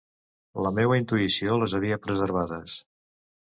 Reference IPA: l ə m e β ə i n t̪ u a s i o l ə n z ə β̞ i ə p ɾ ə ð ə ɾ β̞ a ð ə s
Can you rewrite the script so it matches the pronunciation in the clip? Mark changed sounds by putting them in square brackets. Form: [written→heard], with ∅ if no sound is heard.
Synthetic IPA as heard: l ə m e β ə i n t̪ u [a→i] s i o l ə [n→∅] z ə β̞ i ə p ɾ ə [ð→z] ə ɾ β̞ a ð ə s